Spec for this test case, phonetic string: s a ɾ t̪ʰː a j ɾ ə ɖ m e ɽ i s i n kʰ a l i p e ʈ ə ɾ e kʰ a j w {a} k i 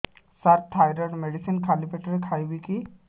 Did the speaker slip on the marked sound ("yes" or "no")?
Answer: yes